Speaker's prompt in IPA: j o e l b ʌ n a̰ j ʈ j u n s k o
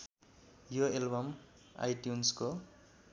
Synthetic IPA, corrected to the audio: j o e l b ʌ m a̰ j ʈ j u n s k o